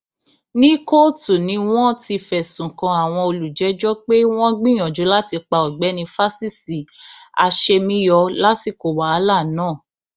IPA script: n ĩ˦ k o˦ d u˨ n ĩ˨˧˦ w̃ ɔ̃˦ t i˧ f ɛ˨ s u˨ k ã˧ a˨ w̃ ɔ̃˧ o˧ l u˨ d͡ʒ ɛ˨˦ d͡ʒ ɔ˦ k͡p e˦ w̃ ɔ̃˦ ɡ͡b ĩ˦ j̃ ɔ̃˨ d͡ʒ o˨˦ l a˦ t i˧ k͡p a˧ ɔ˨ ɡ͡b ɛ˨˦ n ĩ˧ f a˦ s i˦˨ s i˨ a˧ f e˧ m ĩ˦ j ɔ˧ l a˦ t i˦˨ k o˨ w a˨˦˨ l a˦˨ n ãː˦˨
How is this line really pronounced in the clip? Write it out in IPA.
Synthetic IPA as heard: n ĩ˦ k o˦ t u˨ n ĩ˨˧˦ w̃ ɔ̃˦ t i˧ f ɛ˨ s ũ˨ k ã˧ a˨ w̃ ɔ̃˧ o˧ l u˨ d͡ʒ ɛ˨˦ d͡ʒ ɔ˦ k͡p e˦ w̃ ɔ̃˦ ɡ͡b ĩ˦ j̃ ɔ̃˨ d͡ʒ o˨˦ l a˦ t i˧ k͡p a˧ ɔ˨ ɡ͡b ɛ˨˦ n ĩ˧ f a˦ s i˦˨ s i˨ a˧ ʃ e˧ m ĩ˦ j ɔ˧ l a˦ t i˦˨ k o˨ w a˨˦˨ l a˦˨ n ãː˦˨